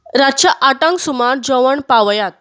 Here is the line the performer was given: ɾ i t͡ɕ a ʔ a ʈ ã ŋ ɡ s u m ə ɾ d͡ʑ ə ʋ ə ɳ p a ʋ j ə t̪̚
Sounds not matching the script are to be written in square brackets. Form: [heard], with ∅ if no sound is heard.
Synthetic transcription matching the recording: ɾ [a] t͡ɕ a ʔ a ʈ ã ŋ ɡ s u m [a] ɾ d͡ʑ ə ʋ ə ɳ p a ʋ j [a] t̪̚